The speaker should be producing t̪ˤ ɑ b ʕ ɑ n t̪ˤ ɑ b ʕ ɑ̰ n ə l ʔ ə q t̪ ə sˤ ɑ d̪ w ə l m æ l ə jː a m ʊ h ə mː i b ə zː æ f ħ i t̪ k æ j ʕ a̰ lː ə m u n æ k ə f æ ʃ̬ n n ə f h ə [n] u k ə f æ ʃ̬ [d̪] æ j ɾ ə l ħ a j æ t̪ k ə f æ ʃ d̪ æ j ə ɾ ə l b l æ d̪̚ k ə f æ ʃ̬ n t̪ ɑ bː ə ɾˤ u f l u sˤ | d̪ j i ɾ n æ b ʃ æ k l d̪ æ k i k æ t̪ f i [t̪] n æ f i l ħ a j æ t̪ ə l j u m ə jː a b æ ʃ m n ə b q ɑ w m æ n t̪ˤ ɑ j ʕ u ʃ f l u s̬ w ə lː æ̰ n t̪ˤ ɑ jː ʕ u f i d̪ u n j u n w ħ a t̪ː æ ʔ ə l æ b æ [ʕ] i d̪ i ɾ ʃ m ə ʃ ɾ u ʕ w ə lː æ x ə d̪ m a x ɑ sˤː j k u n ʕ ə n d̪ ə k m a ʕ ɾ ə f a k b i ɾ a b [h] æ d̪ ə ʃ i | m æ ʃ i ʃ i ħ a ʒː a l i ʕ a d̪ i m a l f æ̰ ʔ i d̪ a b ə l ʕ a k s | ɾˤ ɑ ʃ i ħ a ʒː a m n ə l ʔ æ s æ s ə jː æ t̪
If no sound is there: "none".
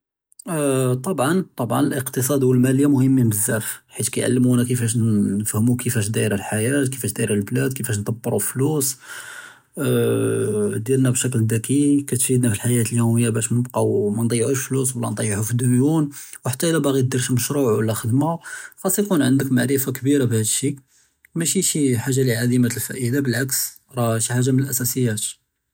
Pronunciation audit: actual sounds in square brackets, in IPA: m, d̪, d̪, ɣ, h

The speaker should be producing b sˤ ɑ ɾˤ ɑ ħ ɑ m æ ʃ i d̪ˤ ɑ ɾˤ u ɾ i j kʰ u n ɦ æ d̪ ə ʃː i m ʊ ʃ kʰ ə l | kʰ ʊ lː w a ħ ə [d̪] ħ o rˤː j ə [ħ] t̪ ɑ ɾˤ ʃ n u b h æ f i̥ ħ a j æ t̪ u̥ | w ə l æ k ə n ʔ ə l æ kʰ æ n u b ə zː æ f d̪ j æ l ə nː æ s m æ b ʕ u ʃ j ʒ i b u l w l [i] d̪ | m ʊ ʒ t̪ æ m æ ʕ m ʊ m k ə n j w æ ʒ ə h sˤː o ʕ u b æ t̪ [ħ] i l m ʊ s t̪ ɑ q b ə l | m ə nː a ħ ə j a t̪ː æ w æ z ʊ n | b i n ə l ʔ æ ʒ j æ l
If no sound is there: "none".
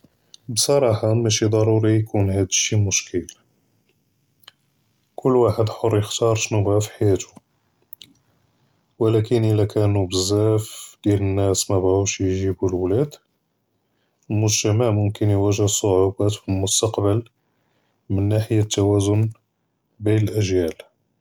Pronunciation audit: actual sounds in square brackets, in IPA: d̪, x, æ, f

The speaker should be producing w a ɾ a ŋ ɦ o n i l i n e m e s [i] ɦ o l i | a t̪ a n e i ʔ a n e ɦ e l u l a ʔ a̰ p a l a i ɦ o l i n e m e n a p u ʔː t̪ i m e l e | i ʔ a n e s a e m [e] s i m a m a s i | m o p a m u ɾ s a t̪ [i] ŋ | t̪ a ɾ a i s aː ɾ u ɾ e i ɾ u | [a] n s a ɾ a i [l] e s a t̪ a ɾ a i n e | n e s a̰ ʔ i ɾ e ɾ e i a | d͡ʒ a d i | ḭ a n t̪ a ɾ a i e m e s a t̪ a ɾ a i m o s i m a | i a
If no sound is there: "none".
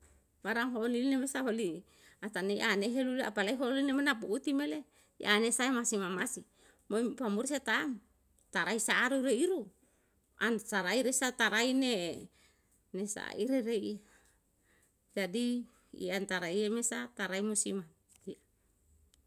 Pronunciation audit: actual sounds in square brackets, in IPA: a, a, a, a, ɾ

